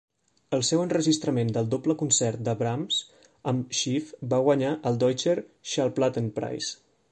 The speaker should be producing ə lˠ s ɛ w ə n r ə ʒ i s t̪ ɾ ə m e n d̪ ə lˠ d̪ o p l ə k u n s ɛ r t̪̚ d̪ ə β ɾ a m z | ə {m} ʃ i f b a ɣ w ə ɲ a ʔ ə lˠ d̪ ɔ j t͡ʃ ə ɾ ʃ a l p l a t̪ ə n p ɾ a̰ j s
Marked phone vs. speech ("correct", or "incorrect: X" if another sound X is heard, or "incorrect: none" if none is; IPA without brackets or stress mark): correct